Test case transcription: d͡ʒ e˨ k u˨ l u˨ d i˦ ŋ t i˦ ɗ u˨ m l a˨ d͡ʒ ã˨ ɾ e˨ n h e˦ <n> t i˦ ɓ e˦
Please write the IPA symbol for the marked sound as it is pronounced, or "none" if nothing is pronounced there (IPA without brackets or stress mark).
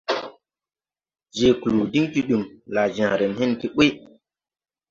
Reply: n